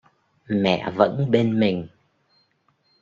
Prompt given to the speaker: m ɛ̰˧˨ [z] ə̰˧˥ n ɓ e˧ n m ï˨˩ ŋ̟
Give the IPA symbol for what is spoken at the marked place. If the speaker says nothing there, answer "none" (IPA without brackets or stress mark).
v